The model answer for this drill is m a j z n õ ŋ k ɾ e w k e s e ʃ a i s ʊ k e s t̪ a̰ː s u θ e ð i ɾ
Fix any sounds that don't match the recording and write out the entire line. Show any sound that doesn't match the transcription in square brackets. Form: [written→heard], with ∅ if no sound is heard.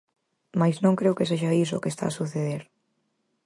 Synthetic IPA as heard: m a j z n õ ŋ k ɾ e w k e s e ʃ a i s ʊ k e s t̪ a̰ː s u θ e ð [i→e] ɾ